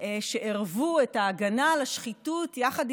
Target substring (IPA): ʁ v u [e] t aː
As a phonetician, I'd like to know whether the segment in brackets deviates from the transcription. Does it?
no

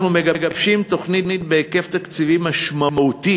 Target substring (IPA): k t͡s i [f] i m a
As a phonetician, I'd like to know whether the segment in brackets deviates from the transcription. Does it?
yes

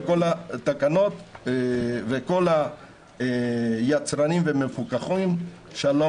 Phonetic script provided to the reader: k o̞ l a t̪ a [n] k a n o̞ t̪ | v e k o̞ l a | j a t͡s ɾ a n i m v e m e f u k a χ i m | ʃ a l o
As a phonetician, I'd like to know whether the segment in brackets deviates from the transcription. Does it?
yes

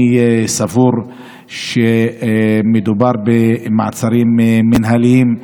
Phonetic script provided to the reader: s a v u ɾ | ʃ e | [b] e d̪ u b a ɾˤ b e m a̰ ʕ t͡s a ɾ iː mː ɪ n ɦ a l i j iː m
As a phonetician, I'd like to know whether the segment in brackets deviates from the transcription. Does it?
yes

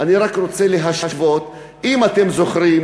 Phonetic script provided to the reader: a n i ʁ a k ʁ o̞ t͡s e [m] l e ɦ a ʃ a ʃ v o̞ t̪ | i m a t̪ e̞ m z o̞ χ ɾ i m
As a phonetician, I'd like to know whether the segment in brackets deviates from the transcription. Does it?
yes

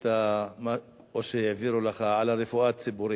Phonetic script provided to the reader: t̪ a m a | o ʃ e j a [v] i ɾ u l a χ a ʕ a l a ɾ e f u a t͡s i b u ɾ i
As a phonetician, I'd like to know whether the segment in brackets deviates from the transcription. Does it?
no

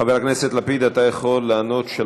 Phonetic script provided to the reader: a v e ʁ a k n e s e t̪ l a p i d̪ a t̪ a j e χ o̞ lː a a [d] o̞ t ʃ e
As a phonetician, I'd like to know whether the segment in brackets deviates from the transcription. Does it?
yes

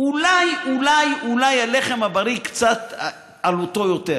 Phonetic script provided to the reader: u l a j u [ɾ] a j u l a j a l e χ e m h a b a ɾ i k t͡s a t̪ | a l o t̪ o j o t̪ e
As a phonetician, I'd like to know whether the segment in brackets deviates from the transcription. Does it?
yes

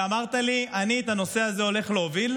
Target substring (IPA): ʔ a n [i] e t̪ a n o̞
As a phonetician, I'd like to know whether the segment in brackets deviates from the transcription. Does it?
no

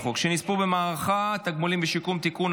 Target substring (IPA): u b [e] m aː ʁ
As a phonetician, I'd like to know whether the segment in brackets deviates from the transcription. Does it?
no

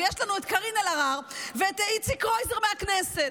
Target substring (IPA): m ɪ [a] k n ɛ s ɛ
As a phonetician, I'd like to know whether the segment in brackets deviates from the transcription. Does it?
no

